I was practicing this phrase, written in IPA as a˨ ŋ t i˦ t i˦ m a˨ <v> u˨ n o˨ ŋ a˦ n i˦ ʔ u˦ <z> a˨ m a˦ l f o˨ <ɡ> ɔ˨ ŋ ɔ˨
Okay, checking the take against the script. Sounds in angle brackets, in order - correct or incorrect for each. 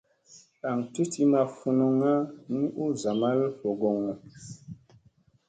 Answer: incorrect, correct, correct

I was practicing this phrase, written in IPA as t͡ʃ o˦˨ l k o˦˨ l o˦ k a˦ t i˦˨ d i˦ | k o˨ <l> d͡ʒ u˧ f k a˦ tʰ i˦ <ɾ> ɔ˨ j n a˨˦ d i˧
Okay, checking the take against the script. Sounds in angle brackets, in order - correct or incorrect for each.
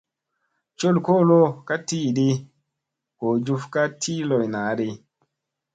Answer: incorrect, incorrect

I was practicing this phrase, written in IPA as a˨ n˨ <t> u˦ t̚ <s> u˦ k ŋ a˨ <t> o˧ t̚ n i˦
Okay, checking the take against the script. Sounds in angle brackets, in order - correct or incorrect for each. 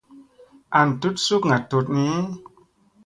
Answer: correct, correct, correct

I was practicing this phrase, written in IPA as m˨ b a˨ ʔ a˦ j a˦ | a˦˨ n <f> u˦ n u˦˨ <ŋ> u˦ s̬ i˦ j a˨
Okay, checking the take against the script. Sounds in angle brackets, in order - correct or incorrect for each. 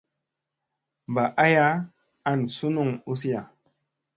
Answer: incorrect, correct

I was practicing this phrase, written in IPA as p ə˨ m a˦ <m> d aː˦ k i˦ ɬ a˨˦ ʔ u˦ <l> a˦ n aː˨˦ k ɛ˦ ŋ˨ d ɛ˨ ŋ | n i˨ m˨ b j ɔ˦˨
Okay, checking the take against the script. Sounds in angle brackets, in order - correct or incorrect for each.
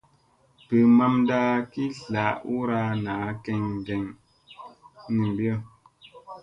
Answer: correct, incorrect

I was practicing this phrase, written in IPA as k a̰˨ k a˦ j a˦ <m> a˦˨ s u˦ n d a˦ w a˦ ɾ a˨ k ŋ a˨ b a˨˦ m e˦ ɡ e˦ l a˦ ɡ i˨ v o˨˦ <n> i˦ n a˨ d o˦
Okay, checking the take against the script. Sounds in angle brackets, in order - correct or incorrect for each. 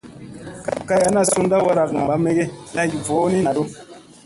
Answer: incorrect, correct

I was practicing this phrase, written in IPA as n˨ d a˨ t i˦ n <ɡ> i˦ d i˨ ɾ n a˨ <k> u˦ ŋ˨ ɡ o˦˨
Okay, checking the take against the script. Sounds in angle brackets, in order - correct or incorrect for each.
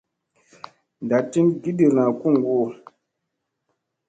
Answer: correct, correct

